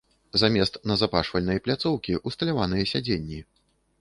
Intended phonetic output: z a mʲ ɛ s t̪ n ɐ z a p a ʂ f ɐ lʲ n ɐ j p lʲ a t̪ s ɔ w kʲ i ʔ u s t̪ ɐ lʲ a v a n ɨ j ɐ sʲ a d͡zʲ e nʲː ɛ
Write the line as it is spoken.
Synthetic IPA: z a mʲ ɛ s t̪ n ɐ z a p a ʂ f ɐ lʲ n ɐ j p lʲ a t̪ s ɔ w kʲ i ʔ u s t̪ ɐ lʲ a v a n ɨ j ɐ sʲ a d͡zʲ e nʲː i

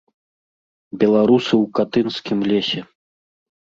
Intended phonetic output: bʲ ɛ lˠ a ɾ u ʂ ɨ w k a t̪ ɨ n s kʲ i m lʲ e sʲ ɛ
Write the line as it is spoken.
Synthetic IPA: bʲ ɛ lˠ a ɾ u s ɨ w k a t̪ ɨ n s kʲ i m lʲ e sʲ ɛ

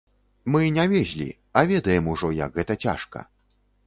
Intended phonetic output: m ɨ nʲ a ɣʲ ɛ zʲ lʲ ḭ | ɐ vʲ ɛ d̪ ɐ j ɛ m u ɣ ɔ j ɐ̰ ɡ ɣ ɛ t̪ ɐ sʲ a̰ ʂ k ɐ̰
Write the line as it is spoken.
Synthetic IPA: m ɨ nʲ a vʲ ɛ zʲ lʲ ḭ | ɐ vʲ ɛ d̪ ɐ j ɛ m u ʐ ɔ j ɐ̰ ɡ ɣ ɛ t̪ ɐ t͡sʲ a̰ ʂ k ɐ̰

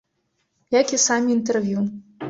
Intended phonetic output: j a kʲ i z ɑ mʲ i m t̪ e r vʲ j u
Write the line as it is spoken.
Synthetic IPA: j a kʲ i s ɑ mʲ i n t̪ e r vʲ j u

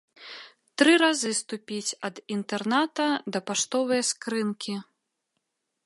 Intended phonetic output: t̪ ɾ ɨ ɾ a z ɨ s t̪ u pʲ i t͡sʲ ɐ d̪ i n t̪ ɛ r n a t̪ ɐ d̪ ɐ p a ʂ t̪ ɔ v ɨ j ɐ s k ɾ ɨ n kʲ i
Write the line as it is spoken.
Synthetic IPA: t̪ ɾ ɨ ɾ a z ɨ s t̪ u pʲ i t͡sʲ ɐ d̪ i n t̪ ɛ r n a t̪ ɐ d̪ ɐ p a ʂ t̪ ɔ v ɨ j ɐ s k ɾ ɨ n kʲ i

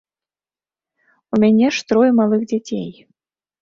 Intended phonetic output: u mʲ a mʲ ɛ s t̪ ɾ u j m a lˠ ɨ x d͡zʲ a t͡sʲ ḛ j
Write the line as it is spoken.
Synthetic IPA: u mʲ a nʲ ɛ ʂ t̪ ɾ ɔ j m a lˠ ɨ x d͡zʲ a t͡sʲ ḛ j

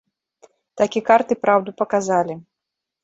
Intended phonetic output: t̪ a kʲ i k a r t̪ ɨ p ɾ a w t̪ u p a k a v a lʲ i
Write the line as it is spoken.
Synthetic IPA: t̪ a kʲ i k a r t̪ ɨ p ɾ a w d̪ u p ɐ k a z a lʲ i

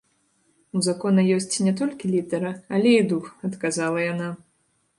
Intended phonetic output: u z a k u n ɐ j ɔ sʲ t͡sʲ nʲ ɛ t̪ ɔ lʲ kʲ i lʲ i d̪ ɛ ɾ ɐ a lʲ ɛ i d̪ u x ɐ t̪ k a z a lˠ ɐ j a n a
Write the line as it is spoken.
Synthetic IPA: u z a k ɔ n ɐ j ɔ sʲ t͡sʲ nʲ ɛ t̪ ɔ lʲ kʲ i lʲ i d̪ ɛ ɾ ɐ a lʲ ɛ i d̪ u x ɐ t̪ k a z a lˠ ɐ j a n a

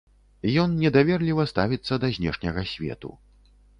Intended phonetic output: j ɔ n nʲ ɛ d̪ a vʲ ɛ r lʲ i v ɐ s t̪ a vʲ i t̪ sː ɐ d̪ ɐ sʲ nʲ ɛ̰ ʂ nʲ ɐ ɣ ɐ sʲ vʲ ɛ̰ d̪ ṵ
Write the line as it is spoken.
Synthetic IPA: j ɔ n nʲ ɛ d̪ a vʲ ɛ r lʲ i v ɐ s t̪ a vʲ i t̪ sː ɐ d̪ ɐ zʲ nʲ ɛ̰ ʂ nʲ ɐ ɣ ɐ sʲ vʲ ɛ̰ t̪ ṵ

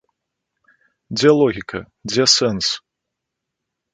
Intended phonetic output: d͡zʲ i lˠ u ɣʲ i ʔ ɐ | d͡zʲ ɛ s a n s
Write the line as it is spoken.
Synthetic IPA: d͡zʲ ɛ lˠ ɔ ɣʲ i k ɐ | d͡zʲ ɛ s ɛ n s

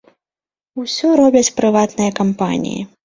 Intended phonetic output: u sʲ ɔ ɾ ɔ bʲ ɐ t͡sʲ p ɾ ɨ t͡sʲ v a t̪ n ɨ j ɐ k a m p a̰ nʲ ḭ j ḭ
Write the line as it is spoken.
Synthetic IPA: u sʲ ɔ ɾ ɔ bʲ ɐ t͡sʲ p ɾ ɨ v a t̪ n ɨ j ɐ k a m p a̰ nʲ ḭ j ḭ

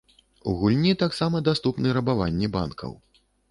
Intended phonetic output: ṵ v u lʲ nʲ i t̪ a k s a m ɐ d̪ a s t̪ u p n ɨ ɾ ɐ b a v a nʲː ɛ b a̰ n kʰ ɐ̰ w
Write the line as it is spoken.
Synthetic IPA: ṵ ɣ u lʲ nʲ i t̪ a k s a m ɐ d̪ a s t̪ u p n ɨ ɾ ɐ b a v a nʲː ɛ b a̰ n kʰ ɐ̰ w

